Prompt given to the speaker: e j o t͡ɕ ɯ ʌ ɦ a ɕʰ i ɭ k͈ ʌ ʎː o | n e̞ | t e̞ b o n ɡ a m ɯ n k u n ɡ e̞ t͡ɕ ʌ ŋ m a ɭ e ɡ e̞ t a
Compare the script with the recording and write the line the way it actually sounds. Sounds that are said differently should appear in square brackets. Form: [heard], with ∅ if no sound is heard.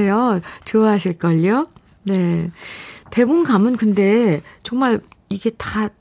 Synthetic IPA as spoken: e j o t͡ɕ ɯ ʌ ɦ a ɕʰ i ɭ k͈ ʌ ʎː o | n e̞ | t e̞ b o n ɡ a m ɯ n k [ɯ] n [d] e̞ t͡ɕ ʌ ŋ m a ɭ [i] ɡ e̞ t a